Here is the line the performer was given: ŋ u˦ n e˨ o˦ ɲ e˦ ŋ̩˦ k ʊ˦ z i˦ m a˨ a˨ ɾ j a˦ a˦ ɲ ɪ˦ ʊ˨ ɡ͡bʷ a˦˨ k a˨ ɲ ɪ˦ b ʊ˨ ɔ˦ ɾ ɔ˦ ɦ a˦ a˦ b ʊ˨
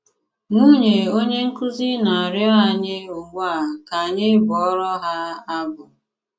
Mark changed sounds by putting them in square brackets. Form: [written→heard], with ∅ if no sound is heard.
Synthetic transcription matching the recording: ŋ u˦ [n→ɲ] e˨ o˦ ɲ e˦ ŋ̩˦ k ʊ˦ z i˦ [m→n] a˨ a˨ ɾ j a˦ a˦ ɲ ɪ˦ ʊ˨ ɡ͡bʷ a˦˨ k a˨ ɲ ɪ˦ b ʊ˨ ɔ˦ ɾ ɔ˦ ɦ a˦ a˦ b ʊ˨